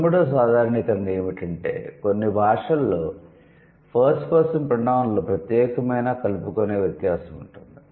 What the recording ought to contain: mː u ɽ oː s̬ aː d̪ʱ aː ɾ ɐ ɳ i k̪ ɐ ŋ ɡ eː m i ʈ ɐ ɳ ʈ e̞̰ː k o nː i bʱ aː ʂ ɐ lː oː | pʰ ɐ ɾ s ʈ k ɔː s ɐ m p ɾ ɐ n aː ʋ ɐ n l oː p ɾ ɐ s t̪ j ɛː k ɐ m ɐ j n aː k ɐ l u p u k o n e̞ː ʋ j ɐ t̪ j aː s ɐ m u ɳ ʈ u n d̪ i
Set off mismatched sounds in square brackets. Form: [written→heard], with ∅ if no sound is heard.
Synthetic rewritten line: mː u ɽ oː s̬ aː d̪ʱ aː ɾ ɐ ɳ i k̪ ɐ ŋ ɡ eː m i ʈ ɐ ɳ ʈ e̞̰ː k o nː i bʱ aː ʂ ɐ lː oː | pʰ ɐ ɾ s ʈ k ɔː s ɐ m p ɾ ɐ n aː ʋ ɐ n l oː p ɾ ɐ [s→∅] t̪ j ɛː k ɐ m ɐ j n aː k ɐ l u p u k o n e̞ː ʋ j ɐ t̪ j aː s ɐ m u ɳ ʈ u n d̪ i